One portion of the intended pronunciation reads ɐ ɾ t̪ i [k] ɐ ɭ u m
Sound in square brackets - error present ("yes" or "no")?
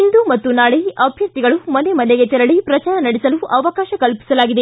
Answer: yes